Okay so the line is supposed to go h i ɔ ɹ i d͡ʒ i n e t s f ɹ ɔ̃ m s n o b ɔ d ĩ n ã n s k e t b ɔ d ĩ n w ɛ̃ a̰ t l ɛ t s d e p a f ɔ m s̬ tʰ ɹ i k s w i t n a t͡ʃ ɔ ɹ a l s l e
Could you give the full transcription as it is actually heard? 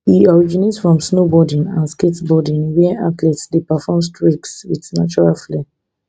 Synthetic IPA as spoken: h i ɔ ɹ i d͡ʒ i n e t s f ɹ ɔ̃ m s n o b ɔ d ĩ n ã n s k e t b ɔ d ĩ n w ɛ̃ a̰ t l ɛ t s d e p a f ɔ m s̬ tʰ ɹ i k s w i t n a t͡ʃ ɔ ɹ a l f l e